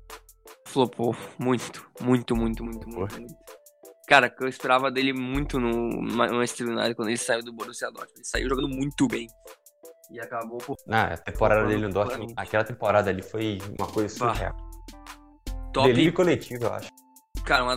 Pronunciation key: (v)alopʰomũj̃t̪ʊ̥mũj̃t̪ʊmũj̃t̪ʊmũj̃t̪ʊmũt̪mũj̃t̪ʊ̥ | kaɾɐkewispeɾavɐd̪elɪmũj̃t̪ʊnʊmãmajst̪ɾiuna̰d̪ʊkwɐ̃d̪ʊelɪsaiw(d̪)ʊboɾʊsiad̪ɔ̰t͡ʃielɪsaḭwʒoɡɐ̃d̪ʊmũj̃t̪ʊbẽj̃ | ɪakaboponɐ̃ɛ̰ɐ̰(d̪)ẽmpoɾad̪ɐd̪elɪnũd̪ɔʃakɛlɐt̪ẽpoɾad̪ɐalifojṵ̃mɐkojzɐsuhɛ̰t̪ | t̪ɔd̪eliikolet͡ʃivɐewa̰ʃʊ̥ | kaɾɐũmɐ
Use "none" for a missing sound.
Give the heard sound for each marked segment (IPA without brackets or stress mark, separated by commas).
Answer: f, d̪, t̪